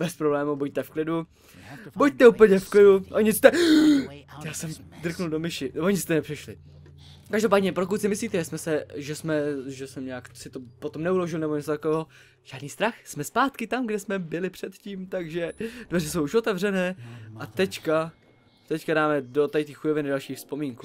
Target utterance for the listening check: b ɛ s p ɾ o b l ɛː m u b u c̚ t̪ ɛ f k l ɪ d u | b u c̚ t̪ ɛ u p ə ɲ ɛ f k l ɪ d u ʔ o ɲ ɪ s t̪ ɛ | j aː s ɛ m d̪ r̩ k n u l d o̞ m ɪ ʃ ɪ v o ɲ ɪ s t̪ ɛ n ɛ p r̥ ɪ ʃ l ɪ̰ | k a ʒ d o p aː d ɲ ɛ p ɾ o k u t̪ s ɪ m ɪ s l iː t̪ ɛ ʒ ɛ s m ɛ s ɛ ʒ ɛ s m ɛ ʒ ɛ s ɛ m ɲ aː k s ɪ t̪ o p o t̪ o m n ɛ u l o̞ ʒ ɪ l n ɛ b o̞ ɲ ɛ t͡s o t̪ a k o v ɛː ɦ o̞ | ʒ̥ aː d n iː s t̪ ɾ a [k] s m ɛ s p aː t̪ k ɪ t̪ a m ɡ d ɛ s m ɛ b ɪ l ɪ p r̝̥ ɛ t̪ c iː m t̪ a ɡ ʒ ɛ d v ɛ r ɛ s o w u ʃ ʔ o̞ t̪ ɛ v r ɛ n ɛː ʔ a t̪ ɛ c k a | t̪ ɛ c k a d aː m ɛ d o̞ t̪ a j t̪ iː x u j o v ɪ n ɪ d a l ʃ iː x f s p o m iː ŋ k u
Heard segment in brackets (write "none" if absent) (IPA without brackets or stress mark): x